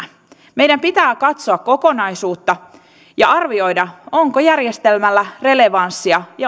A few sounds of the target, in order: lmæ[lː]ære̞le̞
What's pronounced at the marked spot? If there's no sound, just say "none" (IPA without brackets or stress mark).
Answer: lː